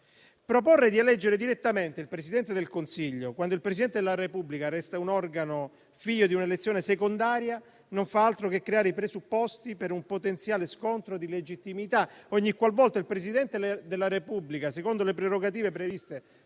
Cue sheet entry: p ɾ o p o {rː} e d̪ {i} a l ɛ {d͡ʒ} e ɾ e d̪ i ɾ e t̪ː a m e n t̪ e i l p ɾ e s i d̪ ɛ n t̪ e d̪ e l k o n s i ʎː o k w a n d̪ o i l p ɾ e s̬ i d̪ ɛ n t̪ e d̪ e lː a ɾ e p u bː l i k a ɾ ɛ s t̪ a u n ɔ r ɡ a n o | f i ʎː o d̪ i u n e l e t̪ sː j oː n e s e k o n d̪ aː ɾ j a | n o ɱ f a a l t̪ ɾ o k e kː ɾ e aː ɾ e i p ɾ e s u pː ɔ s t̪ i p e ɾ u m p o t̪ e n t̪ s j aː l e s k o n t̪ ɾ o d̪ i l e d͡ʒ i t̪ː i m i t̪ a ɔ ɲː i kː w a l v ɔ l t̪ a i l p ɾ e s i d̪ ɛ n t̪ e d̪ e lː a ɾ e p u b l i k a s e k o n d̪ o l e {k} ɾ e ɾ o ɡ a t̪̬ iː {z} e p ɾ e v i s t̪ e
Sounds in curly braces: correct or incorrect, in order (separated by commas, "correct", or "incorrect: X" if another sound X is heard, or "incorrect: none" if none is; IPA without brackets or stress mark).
correct, correct, incorrect: d͡ʒː, incorrect: p, incorrect: v